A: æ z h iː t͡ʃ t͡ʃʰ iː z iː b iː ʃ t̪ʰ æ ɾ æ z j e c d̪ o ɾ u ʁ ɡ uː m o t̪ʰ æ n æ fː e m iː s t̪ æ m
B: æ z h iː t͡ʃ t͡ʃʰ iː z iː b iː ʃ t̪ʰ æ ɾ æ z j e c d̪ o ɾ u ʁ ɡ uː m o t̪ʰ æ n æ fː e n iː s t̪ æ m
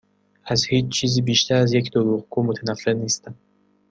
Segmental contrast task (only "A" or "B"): B